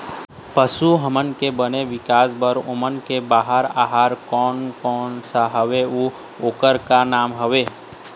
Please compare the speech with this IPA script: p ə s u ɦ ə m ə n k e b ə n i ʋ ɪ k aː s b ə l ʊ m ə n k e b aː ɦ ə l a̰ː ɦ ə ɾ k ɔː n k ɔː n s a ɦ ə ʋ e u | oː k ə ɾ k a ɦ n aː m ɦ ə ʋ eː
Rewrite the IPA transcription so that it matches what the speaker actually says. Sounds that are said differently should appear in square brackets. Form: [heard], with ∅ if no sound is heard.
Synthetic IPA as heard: p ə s u ɦ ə m ə n k e b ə n [e] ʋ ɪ k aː s b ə [ɾ] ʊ m ə n k e b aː ɦ ə [ɾ] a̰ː ɦ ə ɾ k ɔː n k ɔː n s a ɦ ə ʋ e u | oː k ə ɾ k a [∅] n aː m ɦ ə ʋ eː